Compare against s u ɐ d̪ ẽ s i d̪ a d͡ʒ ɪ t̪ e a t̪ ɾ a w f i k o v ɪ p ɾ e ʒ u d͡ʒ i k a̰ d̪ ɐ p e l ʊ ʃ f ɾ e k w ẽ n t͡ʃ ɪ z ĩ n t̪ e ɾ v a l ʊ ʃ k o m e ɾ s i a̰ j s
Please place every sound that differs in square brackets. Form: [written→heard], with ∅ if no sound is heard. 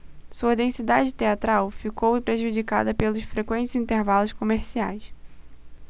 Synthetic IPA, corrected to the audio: s u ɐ d̪ ẽ s i d̪ a d͡ʒ ɪ t̪ e a t̪ ɾ a w f i k o [v→w] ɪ p ɾ e ʒ u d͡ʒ i k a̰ d̪ ɐ p e l ʊ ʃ f ɾ e k w ẽ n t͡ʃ ɪ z ĩ n t̪ e ɾ v a l ʊ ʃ k o m e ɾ s i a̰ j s